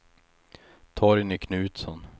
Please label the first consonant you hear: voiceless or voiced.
voiceless